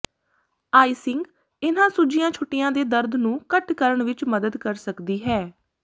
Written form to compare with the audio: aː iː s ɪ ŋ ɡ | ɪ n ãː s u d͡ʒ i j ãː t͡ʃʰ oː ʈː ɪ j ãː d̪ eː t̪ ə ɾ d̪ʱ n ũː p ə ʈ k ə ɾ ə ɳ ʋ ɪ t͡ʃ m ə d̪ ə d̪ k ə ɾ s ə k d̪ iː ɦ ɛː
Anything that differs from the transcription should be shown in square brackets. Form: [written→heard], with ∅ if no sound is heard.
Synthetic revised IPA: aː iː s ɪ ŋ ɡ | ɪ n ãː s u d͡ʒ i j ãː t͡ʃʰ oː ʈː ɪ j ãː d̪ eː [t̪→d̪] ə ɾ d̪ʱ n ũː [p→k] ə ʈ k ə ɾ ə ɳ ʋ ɪ t͡ʃ m ə d̪ ə d̪ k ə ɾ s ə k d̪ iː ɦ ɛː